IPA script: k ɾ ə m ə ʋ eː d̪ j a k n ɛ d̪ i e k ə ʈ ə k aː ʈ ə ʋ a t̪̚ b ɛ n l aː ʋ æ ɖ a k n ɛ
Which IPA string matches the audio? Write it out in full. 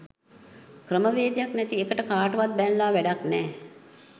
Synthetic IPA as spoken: k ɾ ə m ə ʋ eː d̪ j a k n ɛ t̪ i e k ə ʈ ə k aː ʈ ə ʋ a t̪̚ b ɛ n l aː ʋ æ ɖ a k n ɛː

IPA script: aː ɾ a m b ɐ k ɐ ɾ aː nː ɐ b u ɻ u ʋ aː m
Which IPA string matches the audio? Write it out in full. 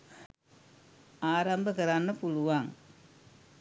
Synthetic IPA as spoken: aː ɾ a m b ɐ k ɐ ɾ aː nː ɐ p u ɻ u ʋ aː ŋ

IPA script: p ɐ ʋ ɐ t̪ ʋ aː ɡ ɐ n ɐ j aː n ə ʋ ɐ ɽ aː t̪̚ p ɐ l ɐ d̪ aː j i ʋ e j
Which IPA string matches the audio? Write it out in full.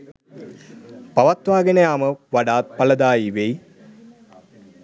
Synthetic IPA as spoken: p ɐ ʋ ɐ t̪ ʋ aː ɡ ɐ n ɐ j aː m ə ʋ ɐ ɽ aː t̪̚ p ɐ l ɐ d̪ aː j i ʋ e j

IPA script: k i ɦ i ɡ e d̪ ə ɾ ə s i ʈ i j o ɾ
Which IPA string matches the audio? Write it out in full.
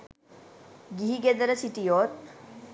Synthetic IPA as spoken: ɡ i ɦ i ɡ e d̪ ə ɾ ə s i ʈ i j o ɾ

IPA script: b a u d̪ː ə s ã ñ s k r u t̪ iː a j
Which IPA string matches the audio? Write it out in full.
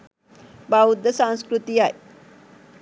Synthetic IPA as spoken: b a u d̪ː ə s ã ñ s k ɾ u t̪ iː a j

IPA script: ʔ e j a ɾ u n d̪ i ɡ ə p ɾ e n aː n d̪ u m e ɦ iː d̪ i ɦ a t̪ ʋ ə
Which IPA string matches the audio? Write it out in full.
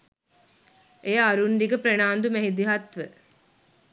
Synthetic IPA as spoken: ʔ e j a ɾ u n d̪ i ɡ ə p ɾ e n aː n d̪ u m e ɦ i d̪ i ɦ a t̪ ʋ ə

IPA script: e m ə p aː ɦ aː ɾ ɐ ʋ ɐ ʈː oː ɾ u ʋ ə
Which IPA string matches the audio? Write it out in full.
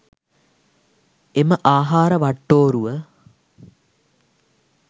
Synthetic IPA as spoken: e m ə ʔ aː ɦ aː ɾ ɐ ʋ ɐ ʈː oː ɾ u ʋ ə

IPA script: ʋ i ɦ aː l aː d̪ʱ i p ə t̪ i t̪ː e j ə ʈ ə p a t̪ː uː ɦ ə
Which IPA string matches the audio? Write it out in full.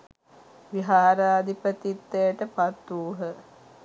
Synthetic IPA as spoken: ʋ i ɦ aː ɾ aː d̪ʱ i p ə t̪ i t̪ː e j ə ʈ ə p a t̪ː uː ɦ ə

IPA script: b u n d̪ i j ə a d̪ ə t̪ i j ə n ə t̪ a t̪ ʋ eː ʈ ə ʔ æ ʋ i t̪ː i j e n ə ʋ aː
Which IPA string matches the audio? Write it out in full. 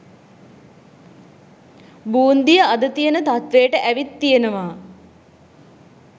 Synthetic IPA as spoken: b uː n d̪ i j ə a d̪ ə t̪ i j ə n ə t̪ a t̪ ʋ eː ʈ ə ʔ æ ʋ i t̪ː i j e n ə ʋ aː

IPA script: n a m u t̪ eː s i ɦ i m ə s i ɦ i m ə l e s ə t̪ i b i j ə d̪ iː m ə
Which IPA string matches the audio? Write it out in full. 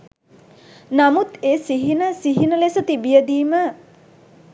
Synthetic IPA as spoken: n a m u t̪ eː s i ɦ i n ə s i ɦ i n ə l e s ə t̪ i b i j ə d̪ iː m ə

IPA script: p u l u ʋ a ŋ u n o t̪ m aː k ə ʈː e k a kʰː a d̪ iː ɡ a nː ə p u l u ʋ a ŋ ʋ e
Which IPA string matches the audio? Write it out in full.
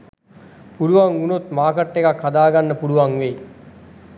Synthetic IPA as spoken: p u l u ʋ a ŋ u n o t̪ m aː k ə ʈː e k a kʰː a d̪ aː ɡ a nː ə p u l u ʋ a ŋ ʋ e

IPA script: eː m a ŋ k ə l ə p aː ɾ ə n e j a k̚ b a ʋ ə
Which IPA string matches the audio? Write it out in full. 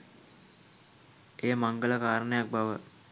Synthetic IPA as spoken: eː m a ŋ ɡ ə l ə k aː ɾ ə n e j a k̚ b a ʋ ə

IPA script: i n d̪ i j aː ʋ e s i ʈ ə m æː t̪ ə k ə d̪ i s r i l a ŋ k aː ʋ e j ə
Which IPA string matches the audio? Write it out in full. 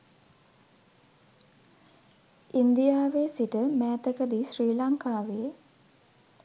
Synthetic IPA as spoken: i n d̪ i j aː ʋ e s i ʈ ə m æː t̪ ə k ə d̪ i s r iː l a ŋ k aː ʋ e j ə

